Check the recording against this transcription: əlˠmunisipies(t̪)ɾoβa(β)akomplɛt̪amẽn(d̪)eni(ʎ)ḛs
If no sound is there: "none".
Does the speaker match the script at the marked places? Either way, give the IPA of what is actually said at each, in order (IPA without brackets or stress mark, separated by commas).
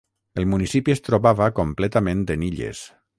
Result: t̪, β, d̪, ʎ